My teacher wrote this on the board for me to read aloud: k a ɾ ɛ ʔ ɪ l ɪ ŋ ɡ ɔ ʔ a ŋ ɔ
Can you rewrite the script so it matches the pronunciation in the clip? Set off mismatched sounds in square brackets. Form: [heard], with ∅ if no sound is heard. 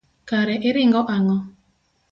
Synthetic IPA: k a ɾ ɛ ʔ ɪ [ɾ] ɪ ŋ ɡ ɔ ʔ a ŋ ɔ